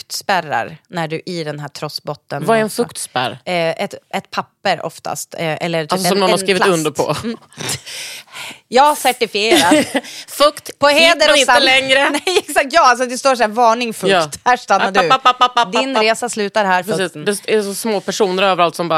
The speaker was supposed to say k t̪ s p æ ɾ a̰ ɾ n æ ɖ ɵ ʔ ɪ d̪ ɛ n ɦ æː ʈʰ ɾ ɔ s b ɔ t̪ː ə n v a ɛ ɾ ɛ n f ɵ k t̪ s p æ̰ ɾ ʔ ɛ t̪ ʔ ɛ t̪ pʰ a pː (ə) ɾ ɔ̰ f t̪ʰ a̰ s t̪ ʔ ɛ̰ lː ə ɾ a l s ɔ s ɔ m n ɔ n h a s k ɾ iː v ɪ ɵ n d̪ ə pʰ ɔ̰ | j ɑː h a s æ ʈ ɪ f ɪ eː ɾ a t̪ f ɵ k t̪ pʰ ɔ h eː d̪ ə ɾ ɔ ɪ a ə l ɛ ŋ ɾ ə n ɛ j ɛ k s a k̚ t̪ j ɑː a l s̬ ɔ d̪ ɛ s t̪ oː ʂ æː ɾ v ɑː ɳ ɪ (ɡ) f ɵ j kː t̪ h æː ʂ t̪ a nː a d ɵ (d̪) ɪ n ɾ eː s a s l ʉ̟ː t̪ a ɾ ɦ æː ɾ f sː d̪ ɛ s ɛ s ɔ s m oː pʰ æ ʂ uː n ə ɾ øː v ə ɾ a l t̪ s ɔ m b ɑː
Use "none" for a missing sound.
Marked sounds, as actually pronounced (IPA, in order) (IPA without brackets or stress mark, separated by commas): ə, ŋ, d̪